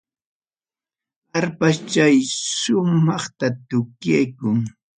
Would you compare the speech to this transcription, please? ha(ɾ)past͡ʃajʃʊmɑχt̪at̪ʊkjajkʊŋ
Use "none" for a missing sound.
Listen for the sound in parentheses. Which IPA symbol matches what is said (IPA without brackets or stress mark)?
ɾ